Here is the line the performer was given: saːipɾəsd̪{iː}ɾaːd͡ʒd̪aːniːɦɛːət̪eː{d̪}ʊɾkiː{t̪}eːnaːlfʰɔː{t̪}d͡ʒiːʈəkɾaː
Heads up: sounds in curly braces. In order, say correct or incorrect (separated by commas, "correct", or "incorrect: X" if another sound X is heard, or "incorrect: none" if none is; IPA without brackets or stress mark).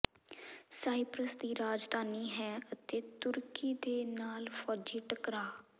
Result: correct, incorrect: t̪, incorrect: d̪, incorrect: none